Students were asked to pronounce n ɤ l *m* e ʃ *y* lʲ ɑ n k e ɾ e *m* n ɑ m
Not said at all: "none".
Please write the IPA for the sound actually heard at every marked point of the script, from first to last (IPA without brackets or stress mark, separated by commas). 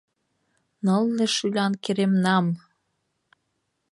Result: n, y, m